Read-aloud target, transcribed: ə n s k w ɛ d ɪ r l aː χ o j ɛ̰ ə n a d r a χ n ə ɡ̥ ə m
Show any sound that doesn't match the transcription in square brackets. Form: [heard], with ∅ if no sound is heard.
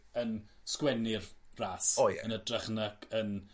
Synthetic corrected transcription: ə n s k w ɛ [n] ɪ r [r] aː [s] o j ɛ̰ ə n [ə] d r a χ n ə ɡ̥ ə [n]